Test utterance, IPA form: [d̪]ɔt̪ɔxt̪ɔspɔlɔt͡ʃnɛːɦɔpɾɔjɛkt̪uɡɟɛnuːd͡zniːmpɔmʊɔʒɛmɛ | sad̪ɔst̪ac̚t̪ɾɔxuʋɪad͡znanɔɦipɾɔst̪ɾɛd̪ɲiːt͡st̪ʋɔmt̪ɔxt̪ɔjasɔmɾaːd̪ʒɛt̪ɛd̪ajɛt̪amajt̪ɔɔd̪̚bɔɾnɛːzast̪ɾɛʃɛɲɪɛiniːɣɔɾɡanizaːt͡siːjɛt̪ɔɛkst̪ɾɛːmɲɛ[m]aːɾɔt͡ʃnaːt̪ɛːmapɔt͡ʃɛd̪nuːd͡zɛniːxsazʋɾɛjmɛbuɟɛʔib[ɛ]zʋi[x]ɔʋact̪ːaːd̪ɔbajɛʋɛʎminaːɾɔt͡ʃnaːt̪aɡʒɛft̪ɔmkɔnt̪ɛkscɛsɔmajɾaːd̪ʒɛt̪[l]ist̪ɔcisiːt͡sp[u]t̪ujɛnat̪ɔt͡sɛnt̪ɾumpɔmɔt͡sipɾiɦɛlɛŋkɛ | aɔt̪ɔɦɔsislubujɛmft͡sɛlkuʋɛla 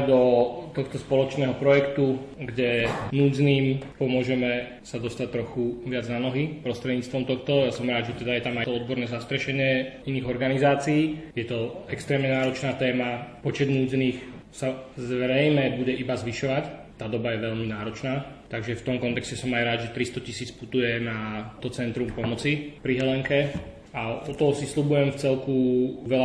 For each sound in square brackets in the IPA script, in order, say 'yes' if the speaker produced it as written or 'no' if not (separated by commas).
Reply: yes, no, no, no, no, yes